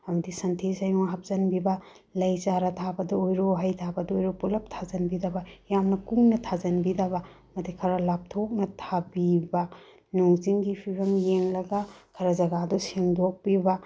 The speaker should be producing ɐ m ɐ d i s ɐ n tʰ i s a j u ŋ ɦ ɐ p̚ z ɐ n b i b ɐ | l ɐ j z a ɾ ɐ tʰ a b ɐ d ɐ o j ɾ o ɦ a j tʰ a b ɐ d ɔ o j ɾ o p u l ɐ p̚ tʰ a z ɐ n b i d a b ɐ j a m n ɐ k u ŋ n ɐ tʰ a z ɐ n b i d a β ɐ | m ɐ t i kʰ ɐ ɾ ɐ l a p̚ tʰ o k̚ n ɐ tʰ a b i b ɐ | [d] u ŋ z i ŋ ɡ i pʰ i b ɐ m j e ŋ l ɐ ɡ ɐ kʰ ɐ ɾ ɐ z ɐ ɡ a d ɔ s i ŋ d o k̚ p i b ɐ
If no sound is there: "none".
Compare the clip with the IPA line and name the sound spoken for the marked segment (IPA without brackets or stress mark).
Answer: n